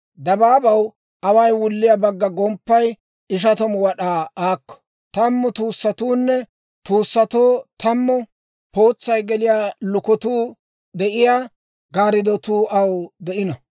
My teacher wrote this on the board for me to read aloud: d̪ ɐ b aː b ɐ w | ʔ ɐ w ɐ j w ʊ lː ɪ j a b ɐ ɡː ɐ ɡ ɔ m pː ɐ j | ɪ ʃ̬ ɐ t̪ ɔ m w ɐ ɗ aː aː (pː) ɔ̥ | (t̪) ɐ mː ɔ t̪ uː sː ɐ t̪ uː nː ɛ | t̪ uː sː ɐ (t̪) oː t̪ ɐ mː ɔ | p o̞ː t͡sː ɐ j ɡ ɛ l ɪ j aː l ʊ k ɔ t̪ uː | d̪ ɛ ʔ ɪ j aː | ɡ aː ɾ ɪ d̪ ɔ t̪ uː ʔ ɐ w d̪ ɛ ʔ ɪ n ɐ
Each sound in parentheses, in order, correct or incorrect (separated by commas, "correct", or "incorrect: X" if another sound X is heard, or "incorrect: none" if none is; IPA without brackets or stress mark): incorrect: kː, correct, correct